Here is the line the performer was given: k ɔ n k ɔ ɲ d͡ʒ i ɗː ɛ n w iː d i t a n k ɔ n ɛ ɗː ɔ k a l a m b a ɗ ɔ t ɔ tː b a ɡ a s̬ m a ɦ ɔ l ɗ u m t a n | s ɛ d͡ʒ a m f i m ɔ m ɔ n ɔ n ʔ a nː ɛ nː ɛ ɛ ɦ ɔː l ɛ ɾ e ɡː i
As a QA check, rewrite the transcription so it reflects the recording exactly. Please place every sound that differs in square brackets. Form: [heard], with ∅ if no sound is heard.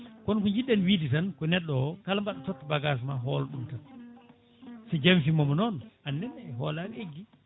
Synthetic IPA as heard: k ɔ n k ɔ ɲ d͡ʒ i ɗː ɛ n w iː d i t a n k ɔ n ɛ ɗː ɔ k a l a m b a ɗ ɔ t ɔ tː b a ɡ a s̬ m a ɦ ɔ l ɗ u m t a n | s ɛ d͡ʒ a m f i m ɔ m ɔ n ɔ n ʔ a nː ɛ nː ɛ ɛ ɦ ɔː l [a] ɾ e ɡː i